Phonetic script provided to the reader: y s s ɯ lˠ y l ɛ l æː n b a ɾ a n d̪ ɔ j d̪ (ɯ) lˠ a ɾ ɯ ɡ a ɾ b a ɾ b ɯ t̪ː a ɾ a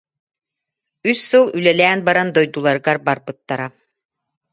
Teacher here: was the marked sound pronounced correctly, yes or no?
no